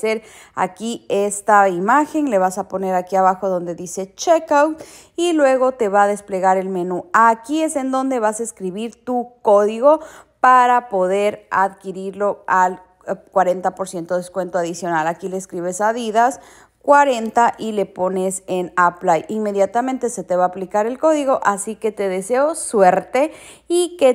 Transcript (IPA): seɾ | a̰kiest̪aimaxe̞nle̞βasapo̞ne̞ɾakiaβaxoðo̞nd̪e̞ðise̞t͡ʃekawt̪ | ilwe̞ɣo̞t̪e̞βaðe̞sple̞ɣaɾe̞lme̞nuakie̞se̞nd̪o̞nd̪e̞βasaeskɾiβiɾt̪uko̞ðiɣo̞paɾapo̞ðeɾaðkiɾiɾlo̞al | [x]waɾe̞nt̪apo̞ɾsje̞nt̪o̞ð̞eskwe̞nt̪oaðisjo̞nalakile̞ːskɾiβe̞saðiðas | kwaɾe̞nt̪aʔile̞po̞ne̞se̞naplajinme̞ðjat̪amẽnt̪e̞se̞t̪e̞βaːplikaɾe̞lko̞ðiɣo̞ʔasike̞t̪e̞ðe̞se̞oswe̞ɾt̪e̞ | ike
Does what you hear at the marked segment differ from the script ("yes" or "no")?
yes